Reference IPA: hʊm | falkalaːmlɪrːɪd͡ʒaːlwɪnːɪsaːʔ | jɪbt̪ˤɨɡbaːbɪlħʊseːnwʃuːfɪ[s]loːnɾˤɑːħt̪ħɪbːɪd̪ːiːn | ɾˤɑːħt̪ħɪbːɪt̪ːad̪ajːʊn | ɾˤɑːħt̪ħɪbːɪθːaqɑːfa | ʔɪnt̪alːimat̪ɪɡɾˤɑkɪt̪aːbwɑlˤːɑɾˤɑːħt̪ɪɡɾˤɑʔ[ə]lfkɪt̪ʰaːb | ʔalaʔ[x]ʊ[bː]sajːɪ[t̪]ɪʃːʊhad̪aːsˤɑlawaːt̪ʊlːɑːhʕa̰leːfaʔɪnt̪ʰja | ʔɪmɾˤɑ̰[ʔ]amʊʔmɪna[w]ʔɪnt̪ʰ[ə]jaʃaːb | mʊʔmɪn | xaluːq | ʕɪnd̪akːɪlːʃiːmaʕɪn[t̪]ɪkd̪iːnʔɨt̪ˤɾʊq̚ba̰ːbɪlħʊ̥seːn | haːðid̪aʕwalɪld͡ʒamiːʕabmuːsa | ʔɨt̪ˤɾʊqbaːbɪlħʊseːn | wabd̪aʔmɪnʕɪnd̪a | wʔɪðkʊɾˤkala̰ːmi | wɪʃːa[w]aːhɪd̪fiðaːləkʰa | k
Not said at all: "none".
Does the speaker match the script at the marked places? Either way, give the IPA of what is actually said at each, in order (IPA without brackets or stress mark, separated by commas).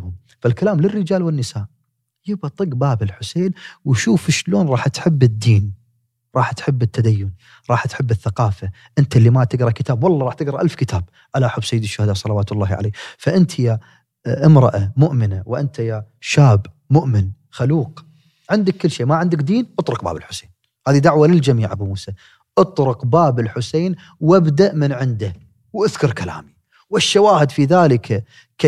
ʃ, a, ħ, bː, d̪, ʔ, w, a, d̪, w